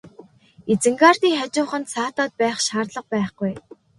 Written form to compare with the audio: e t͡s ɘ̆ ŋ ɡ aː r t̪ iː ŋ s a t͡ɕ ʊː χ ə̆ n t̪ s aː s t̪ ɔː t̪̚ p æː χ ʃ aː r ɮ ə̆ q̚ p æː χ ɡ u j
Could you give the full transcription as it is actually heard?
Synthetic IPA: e t͡s ɘ̆ ŋ ɡ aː r t̪ iː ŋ χ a t͡ɕ ʊː χ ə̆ n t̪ s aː t̪ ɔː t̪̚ p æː χ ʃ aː r ɮ ə̆ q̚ p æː χ ɡ u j